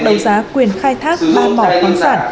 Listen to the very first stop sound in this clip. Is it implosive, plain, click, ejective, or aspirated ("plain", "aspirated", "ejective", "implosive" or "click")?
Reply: implosive